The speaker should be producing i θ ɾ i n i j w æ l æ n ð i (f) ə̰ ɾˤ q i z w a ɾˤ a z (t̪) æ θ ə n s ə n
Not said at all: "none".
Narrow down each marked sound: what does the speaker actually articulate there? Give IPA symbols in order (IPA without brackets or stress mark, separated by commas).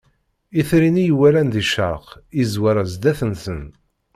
ʃ, d̪